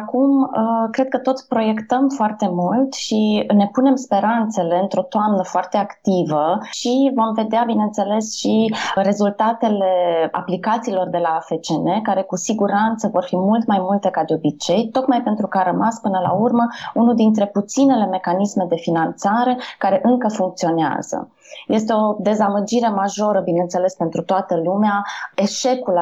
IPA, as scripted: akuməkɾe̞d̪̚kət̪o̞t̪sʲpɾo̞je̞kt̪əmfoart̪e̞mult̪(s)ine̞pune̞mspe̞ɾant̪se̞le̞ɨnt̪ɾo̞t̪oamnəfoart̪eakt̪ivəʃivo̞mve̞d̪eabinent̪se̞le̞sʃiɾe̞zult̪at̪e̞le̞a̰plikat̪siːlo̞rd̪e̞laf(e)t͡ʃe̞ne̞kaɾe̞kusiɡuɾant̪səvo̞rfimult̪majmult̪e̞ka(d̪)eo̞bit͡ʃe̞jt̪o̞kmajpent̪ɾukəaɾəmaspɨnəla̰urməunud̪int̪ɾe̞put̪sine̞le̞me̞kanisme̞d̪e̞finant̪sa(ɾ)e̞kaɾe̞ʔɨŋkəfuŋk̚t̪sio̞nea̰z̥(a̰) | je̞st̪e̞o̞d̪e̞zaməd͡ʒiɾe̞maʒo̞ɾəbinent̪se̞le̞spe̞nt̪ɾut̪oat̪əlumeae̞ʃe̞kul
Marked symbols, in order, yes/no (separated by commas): no, yes, yes, yes, no